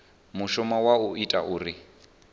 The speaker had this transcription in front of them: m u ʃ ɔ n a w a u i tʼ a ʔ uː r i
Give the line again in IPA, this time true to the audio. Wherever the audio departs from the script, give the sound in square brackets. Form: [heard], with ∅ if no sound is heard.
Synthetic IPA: m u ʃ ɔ [m] a w a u i tʼ a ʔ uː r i